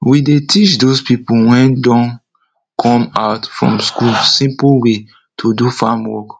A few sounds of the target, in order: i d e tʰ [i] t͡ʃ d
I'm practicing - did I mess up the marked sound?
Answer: no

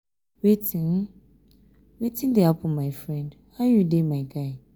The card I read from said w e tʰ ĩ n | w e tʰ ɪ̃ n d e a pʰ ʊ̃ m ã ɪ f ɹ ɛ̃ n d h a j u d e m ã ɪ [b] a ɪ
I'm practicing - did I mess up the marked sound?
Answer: yes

